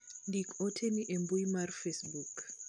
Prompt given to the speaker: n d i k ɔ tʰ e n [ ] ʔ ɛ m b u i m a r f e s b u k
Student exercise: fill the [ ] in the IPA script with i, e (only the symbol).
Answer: i